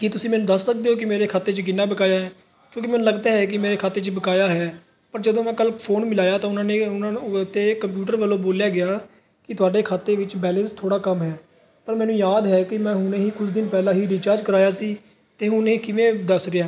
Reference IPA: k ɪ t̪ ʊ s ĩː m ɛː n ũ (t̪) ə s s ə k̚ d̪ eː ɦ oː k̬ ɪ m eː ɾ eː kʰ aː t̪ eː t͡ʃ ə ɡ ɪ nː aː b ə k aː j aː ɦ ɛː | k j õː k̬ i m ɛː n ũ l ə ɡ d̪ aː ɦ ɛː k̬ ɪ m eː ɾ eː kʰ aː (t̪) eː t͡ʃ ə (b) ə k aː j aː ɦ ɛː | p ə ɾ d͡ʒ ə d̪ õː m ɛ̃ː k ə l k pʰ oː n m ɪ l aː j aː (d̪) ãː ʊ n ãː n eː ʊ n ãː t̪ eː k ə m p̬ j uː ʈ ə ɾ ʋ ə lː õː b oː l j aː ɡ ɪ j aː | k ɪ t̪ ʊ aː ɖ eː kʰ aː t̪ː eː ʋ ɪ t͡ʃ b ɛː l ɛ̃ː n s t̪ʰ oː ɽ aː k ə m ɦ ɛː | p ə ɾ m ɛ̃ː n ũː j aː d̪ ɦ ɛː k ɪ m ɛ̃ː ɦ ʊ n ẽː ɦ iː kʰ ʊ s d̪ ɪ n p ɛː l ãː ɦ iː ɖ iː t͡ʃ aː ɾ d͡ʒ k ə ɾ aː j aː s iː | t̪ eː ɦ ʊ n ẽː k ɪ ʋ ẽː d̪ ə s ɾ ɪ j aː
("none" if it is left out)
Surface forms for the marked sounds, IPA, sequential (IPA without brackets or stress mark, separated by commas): d̪, t̪, b, t̪